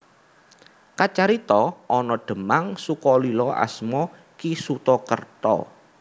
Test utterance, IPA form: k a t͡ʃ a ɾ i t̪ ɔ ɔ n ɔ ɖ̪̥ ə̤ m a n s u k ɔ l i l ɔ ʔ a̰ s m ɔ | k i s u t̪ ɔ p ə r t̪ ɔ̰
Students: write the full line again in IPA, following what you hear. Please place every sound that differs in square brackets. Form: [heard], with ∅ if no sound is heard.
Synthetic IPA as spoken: k a t͡ʃ a ɾ i t̪ ɔ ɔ n ɔ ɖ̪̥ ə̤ m a [ŋ] s u k ɔ l i l ɔ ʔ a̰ s m ɔ | k i s u t̪ ɔ [k] ə r t̪ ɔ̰

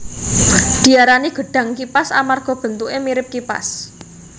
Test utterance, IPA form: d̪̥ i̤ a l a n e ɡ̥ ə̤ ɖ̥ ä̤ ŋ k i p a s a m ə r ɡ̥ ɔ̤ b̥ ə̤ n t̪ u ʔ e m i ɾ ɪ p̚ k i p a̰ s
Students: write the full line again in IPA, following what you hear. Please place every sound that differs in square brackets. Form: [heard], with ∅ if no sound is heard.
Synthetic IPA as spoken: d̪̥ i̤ a [ɾ] a n [i] ɡ̥ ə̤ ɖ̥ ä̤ ŋ k i p a s a m [a] r ɡ̥ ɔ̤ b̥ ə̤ n t̪ u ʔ e m i ɾ ɪ p̚ k i p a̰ s

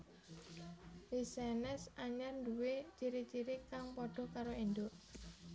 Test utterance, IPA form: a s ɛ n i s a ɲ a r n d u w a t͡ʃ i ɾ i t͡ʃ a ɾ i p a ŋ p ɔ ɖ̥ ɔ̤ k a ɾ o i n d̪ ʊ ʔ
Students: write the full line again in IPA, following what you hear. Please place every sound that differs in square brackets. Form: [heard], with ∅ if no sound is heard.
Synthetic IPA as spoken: [i] s ɛ n [ɛ] s a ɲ a r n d u w [e] t͡ʃ i ɾ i t͡ʃ [i] ɾ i [k] a ŋ p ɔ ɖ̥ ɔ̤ k a ɾ o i n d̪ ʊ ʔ

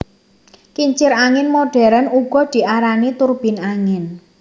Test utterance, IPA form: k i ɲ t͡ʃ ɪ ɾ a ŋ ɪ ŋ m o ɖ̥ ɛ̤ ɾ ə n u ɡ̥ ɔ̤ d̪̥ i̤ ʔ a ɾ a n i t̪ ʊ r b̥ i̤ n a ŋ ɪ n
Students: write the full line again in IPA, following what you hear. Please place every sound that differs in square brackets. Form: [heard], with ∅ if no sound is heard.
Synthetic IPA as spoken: k i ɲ t͡ʃ ɪ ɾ a ŋ ɪ [n] m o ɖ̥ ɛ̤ ɾ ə n u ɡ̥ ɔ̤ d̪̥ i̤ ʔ a ɾ a n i t̪ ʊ r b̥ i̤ n a ŋ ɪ n

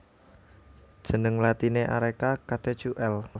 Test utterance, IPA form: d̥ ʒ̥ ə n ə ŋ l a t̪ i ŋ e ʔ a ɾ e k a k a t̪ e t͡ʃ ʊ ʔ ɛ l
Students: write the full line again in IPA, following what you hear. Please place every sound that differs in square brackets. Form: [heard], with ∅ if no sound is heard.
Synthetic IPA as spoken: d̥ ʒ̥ ə n ə ŋ l a t̪ i [n] e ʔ a ɾ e k a k a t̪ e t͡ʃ [u] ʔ ɛ l

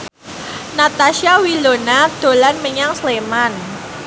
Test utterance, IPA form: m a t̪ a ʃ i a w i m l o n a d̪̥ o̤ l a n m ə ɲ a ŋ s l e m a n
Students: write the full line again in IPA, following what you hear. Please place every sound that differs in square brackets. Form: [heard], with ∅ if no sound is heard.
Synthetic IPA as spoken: [n] a t̪ a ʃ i a w i [∅] l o n a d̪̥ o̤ l a n m ə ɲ a ŋ s l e m a n

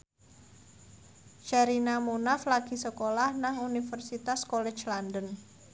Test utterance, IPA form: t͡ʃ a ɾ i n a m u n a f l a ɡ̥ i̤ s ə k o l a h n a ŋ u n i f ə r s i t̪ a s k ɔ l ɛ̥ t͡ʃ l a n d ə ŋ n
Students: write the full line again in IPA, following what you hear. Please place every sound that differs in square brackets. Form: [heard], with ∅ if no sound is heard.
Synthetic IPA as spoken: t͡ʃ a ɾ i n a m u n a f l a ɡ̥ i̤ s ə k o l a h n a ŋ u n i f ə r s i t̪ a s k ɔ l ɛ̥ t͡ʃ l a n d ə [∅] n

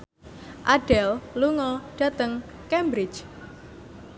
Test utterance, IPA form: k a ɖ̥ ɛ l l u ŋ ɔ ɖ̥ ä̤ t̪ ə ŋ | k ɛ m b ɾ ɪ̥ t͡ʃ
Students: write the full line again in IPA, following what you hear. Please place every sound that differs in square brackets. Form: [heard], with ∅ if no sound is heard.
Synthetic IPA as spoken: [ʔ] a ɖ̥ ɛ l l u ŋ ɔ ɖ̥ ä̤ t̪ ə ŋ | k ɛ m b ɾ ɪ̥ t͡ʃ

